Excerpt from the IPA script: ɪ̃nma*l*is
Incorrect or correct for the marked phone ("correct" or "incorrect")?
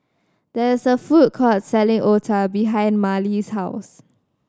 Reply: correct